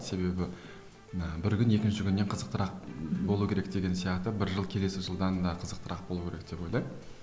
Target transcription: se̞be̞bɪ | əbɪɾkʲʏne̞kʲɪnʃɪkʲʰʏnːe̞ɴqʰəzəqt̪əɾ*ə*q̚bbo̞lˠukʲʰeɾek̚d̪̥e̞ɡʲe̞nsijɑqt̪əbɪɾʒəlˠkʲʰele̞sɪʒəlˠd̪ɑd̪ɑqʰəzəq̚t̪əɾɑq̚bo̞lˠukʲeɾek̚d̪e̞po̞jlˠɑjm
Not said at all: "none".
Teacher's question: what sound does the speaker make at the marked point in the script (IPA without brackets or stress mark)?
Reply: ɑ